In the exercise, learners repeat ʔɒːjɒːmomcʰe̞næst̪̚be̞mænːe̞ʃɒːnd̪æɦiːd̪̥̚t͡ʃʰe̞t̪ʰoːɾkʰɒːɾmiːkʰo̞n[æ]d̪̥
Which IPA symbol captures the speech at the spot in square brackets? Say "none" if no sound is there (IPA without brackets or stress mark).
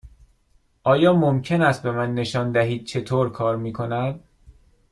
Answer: æ